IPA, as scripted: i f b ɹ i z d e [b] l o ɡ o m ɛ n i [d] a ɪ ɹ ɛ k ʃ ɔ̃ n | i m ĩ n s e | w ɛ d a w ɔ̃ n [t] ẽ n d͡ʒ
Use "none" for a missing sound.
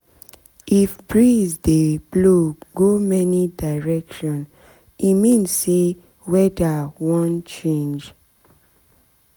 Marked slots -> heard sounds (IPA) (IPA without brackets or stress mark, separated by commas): b, d, t͡ʃ